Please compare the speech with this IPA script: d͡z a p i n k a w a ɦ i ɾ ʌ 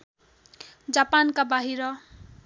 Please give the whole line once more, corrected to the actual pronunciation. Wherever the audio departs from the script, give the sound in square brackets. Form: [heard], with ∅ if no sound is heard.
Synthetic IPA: d͡z a p [a] n k a [b] a ɦ i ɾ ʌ